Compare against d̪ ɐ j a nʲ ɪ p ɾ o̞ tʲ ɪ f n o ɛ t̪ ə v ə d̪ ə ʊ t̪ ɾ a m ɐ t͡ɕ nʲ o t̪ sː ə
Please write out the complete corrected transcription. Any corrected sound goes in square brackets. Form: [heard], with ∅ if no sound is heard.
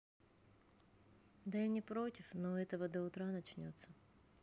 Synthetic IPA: d̪ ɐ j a nʲ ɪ p ɾ o̞ tʲ ɪ f n o ɛ t̪ ə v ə d̪ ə ʊ t̪ ɾ a [n] ɐ t͡ɕ nʲ o t̪ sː ə